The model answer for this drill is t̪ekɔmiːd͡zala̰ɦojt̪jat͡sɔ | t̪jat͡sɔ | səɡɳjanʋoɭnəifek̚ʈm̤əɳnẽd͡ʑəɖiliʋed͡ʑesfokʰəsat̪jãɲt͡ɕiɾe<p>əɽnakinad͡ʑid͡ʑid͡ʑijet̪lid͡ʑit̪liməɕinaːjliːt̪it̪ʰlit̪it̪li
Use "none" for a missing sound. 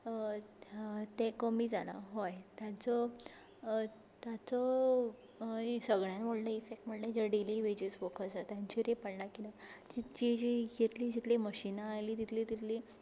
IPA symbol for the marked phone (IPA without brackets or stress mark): p